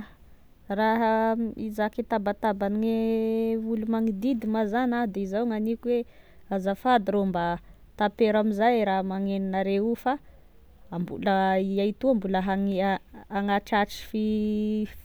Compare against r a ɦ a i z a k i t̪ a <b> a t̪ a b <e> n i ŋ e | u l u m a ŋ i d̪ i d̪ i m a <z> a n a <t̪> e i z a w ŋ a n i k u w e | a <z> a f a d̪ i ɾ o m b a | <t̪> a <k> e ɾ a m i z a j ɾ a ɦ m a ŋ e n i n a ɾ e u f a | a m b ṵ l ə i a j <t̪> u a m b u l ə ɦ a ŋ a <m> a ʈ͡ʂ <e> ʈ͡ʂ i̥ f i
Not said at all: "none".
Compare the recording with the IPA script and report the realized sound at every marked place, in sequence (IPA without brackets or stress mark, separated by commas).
b, a, z, d̪, z, t̪, p, t̪, ŋ, a